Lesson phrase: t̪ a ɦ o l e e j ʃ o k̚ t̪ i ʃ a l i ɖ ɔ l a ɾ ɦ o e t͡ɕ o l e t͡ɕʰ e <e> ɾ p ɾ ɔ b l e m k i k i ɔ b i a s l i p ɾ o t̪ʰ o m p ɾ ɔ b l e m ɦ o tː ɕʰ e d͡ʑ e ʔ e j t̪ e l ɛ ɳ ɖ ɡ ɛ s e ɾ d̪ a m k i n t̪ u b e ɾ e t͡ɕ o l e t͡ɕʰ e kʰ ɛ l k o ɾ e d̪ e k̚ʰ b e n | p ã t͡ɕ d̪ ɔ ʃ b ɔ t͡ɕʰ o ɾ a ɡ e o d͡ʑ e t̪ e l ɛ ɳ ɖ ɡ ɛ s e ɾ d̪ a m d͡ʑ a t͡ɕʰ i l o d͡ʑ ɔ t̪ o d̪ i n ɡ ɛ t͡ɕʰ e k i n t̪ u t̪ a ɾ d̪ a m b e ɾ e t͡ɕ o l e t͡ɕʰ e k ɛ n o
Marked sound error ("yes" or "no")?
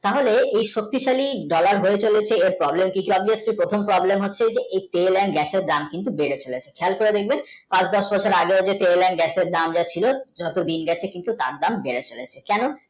no